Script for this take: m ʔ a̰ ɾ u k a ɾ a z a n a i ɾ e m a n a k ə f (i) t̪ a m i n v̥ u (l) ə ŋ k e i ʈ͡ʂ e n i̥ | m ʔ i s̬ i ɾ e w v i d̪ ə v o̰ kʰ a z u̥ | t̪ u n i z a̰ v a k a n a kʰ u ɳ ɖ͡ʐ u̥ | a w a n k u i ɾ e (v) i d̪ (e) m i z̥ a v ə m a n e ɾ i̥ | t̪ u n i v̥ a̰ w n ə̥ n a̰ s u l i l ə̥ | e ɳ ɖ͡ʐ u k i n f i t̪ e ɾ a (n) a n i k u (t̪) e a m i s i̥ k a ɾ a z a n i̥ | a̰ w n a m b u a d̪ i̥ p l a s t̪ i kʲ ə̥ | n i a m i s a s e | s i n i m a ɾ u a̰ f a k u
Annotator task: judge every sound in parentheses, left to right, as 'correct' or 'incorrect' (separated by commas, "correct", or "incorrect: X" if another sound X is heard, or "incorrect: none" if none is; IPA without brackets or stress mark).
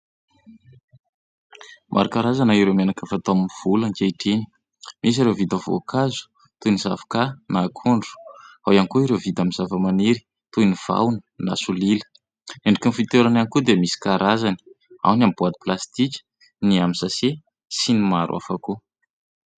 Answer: incorrect: a, correct, correct, incorrect: a, correct, incorrect: d̪